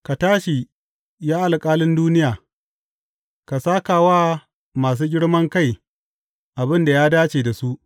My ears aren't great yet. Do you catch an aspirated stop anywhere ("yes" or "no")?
no